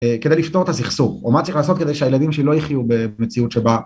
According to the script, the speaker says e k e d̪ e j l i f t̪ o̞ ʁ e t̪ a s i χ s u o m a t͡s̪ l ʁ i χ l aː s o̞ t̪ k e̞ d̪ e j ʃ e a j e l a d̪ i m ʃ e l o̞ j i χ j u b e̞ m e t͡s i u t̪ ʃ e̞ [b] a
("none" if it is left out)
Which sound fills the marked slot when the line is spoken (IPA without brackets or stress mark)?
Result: b